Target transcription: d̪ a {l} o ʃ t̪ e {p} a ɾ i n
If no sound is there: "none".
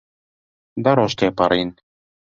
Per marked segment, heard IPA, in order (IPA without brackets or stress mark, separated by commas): ɾ, p